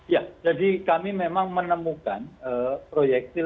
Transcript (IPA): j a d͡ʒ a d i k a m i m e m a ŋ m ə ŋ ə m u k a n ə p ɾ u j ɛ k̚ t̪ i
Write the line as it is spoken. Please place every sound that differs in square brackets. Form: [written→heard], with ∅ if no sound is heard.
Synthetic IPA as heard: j a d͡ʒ a d i k a m i m e m a ŋ m ə [ŋ→n] ə m u k a n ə p ɾ [u→o] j ɛ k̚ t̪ i